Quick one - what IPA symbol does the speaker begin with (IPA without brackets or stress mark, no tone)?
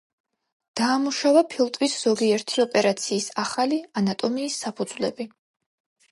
d̪̥